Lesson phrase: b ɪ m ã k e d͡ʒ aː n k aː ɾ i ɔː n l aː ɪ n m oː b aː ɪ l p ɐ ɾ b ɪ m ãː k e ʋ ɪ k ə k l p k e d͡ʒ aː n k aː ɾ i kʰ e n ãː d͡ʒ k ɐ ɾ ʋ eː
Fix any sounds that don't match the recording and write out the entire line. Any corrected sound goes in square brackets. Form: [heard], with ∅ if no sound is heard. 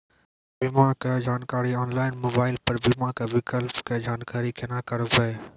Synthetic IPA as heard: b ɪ m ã k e d͡ʒ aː n k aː ɾ i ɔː n l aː ɪ n m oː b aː ɪ l p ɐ ɾ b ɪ m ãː k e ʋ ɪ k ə [∅] l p k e d͡ʒ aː n k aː ɾ i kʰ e n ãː [∅] k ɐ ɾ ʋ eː